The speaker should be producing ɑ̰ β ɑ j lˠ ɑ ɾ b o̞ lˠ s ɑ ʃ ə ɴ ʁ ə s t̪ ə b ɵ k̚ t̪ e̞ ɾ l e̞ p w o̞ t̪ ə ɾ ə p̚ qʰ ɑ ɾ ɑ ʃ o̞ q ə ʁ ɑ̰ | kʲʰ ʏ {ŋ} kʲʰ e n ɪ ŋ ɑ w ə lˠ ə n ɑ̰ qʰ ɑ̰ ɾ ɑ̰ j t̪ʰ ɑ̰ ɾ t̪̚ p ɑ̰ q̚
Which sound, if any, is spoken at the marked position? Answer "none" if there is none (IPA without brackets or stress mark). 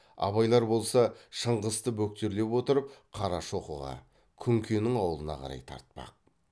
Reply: ŋ